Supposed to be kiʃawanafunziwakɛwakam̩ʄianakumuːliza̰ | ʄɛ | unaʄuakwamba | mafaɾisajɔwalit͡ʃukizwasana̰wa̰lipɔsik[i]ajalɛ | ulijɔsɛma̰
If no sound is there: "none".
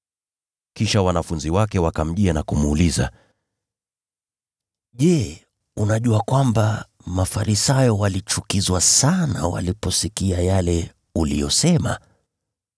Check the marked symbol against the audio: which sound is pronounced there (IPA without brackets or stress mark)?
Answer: i